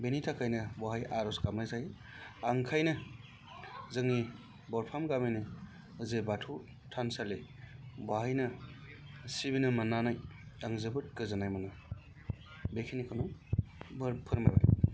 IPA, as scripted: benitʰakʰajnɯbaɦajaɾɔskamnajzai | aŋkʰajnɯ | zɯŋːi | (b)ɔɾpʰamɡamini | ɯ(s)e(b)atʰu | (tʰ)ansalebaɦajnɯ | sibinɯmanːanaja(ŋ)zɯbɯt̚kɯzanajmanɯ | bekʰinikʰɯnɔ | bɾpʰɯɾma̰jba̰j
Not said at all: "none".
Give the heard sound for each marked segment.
b, z, b, tʰ, ŋ

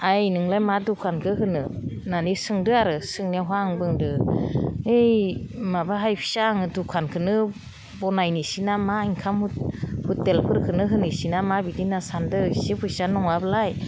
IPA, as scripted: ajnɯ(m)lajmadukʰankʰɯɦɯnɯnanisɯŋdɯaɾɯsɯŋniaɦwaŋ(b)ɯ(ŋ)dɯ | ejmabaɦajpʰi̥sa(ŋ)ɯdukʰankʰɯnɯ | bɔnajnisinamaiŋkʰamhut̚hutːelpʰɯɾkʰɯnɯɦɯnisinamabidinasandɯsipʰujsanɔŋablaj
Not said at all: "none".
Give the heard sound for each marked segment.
ŋ, b, ŋ, ŋ

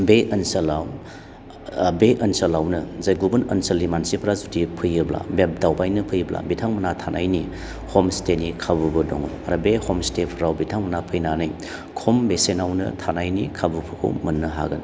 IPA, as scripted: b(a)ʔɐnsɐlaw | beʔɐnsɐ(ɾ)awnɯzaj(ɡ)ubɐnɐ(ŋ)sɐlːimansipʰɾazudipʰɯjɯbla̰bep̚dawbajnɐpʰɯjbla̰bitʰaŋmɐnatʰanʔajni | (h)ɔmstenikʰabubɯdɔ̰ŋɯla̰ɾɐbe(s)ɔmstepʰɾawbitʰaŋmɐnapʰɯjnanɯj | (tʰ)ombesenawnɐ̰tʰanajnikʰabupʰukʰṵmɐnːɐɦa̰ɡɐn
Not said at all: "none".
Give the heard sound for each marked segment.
e, l, ɡ, n, h, h, kʰ

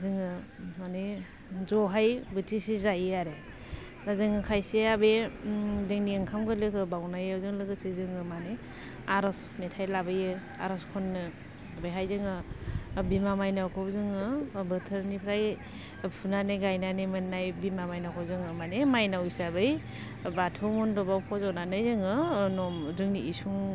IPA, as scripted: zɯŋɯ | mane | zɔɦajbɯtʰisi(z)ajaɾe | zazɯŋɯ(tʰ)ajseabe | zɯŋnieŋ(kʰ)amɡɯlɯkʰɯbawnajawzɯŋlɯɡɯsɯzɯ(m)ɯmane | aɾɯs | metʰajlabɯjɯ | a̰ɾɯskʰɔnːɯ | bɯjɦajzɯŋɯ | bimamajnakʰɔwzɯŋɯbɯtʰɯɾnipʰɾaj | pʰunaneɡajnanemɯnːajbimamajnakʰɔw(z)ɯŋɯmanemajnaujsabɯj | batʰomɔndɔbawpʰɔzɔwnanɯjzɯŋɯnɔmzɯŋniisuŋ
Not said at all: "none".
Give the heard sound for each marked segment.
z, kʰ, kʰ, ŋ, z

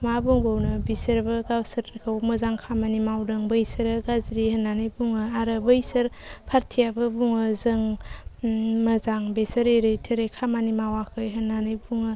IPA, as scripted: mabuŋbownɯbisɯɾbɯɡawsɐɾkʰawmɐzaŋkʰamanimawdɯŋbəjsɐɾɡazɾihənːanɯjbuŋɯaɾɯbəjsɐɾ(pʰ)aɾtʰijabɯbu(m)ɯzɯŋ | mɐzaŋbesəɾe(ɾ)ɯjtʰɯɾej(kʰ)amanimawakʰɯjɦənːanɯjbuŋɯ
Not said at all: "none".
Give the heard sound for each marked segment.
pʰ, ŋ, ɾ, kʰ

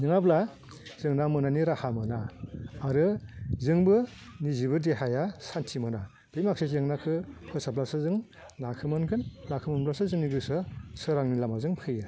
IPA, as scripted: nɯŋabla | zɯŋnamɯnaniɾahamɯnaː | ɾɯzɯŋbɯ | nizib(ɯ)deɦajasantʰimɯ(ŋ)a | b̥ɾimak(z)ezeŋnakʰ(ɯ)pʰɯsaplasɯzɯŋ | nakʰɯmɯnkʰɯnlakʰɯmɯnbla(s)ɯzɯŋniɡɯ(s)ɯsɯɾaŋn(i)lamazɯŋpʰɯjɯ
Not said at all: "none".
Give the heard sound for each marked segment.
ɯ, n, s, ɯ, s, s, i

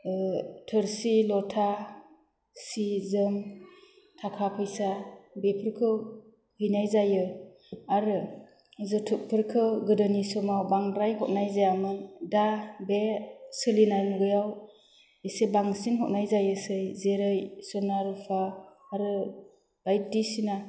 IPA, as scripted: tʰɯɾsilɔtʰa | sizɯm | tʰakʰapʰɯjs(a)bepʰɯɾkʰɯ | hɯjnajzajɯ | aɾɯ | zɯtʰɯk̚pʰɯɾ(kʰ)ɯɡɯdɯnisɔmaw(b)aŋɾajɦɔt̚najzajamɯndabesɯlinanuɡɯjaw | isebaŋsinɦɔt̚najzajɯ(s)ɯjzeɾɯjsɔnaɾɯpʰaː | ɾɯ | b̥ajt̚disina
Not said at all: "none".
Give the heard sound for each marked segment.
a, kʰ, b, s

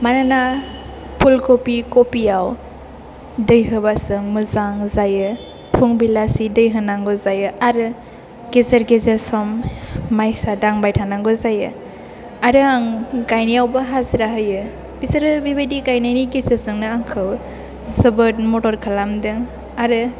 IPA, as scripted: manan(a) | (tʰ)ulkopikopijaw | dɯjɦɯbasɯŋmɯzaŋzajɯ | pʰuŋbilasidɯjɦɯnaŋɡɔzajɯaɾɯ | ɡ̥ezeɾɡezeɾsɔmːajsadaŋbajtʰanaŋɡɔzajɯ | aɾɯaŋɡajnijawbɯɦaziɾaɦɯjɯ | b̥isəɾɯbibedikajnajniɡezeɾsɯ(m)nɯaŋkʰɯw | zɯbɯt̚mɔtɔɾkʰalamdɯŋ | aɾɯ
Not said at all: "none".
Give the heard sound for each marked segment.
a, pʰ, ŋ

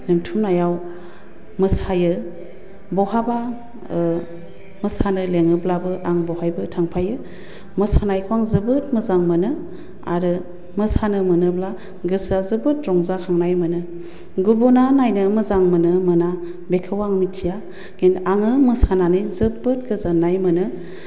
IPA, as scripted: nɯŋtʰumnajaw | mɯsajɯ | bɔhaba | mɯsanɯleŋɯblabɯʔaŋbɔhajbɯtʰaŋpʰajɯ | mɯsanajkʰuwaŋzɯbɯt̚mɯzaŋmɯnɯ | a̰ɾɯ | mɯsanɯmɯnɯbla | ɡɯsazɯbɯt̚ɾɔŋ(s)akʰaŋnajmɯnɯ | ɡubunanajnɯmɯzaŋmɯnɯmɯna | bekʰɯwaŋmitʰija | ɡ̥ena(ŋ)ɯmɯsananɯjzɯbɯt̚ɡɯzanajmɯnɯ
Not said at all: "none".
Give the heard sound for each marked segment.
z, ŋ

